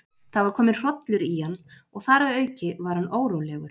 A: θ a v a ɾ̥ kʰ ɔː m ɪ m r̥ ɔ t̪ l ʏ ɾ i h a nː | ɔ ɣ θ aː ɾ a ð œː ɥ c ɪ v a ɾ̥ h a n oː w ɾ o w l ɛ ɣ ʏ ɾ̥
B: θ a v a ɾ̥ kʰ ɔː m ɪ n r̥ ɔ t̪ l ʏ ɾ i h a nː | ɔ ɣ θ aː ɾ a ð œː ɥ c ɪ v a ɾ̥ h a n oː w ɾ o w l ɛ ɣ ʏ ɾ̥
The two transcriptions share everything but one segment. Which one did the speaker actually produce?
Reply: B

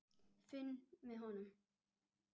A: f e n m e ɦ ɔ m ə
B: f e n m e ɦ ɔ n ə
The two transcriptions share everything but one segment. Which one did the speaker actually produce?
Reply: B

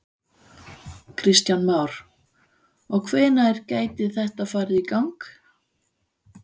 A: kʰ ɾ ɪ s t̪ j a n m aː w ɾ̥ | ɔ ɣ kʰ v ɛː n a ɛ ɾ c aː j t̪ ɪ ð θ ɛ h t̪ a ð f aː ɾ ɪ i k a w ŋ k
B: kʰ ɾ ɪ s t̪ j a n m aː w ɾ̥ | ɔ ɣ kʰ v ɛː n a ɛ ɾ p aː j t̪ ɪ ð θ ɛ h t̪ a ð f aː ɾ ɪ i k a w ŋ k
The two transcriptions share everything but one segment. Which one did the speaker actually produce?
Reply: A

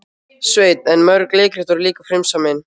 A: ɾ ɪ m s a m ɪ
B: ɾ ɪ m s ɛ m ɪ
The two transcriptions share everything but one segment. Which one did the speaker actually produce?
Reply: A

